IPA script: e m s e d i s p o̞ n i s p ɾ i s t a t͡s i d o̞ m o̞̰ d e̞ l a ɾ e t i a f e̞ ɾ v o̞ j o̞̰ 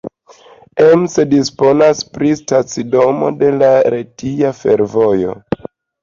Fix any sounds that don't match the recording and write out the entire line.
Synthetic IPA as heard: e m s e d i s p o̞ n a s p ɾ i s t a t͡s i d o̞ m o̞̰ d e̞ l a ɾ e t i a f e̞ ɾ v o̞ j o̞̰